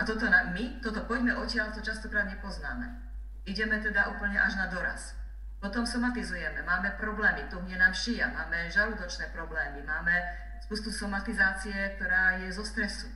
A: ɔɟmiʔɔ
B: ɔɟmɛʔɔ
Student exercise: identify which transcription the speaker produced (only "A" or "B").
B